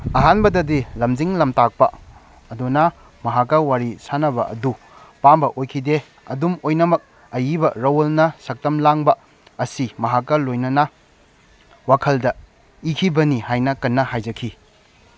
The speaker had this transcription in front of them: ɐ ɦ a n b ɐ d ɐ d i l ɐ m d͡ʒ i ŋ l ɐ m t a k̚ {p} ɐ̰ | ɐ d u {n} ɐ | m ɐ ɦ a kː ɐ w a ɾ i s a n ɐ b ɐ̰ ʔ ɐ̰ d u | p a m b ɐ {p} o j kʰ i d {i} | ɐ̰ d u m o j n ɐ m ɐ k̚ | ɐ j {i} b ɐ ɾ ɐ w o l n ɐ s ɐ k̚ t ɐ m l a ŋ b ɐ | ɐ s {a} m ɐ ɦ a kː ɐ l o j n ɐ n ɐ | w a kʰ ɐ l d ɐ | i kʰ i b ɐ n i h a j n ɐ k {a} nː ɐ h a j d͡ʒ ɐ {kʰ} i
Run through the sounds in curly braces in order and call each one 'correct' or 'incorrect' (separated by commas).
correct, correct, incorrect, incorrect, correct, incorrect, incorrect, correct